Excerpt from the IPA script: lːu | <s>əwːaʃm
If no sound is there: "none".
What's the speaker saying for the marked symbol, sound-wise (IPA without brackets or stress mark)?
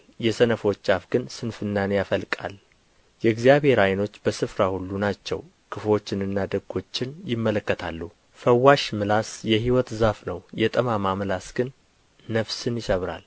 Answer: f